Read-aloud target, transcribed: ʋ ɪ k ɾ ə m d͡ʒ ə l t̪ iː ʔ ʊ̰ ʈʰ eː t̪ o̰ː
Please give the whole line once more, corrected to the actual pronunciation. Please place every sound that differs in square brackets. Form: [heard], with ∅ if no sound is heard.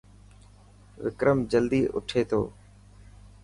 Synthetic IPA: ʋ ɪ k ɾ ə m d͡ʒ ə l [d̪] iː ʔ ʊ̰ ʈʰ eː [t̪ʰ] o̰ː